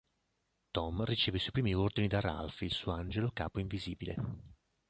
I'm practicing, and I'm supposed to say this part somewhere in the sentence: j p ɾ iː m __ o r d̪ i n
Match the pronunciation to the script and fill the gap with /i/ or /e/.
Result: i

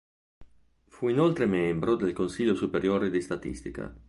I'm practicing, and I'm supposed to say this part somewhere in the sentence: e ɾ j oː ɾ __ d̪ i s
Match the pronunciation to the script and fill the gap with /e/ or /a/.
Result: e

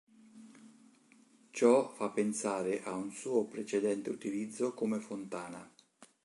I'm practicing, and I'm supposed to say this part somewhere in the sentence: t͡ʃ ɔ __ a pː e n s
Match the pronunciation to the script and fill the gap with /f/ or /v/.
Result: f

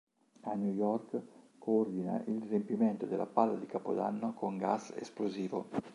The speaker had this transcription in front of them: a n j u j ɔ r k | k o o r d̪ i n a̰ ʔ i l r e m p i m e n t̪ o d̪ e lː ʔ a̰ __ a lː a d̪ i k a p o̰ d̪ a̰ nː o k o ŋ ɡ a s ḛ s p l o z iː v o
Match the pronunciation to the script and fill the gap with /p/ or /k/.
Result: p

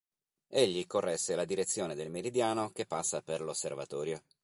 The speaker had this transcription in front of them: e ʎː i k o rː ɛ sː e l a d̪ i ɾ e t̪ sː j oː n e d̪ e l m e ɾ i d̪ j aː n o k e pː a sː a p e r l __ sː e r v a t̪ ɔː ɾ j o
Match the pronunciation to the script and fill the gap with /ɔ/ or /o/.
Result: o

